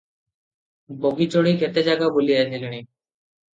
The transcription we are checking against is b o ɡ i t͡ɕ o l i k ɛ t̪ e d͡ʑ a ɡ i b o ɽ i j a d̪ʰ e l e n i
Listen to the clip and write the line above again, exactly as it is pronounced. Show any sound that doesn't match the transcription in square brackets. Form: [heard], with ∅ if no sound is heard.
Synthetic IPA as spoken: b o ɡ i t͡ɕ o [ɽ] i k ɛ t̪ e d͡ʑ a ɡ [a] b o [l] i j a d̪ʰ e l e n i

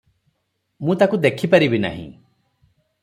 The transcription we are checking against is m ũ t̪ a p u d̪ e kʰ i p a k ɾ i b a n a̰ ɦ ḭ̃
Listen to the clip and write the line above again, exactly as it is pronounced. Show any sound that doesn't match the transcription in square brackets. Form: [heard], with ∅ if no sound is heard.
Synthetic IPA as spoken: m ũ t̪ a [k] u d̪ e kʰ i p a [∅] ɾ i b [i] n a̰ ɦ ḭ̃

